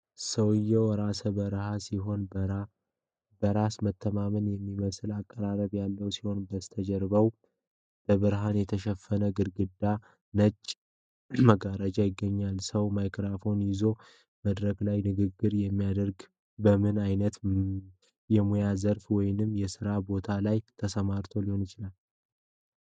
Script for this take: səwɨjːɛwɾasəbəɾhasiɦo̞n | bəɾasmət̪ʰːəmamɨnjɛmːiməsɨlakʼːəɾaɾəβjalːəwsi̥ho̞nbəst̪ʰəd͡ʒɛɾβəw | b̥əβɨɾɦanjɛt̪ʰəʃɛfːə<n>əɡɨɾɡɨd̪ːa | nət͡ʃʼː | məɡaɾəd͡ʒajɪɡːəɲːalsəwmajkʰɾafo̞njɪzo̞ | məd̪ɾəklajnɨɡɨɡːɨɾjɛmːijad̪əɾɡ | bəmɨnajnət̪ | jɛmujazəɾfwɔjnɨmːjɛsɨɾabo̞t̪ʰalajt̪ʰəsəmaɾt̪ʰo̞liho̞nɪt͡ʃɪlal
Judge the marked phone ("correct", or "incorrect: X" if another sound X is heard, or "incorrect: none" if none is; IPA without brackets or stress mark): correct